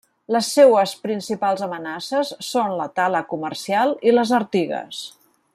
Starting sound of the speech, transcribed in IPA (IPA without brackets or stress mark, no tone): l